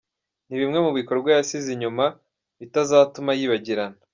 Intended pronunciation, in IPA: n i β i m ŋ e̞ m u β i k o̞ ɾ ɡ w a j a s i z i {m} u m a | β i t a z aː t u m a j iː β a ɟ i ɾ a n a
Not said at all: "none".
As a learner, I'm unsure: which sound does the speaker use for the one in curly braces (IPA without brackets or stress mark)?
ɲ